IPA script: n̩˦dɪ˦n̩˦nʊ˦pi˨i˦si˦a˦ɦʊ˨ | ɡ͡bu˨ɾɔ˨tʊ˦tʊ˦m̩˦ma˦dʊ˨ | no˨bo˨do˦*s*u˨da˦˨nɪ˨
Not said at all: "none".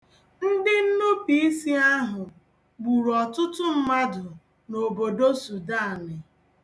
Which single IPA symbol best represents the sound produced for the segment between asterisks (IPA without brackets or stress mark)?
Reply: s